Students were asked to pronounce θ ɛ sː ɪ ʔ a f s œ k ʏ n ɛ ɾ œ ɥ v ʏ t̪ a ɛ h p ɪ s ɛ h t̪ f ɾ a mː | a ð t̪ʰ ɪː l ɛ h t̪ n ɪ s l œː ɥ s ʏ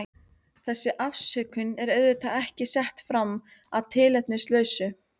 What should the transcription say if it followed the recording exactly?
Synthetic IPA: θ ɛ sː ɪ ʔ a f s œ k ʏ n ɛ ɾ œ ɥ ð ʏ t̪ a ɛ h c ɪ s ɛ h t̪ f ɾ a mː | a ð t̪ʰ ɪː l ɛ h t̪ n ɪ s l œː ɥ s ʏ